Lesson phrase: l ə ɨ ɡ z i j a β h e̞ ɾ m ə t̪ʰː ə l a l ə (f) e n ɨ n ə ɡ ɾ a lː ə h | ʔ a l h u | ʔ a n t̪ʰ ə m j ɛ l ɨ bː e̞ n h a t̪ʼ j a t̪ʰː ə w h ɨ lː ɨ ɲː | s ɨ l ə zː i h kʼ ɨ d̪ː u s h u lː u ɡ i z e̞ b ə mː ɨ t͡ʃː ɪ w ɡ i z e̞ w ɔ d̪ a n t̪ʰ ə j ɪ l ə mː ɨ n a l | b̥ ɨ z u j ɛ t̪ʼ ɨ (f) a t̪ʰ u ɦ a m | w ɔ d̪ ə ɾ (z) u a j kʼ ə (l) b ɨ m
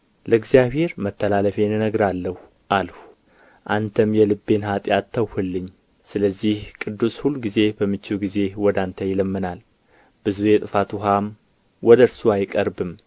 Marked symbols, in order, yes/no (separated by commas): yes, yes, no, no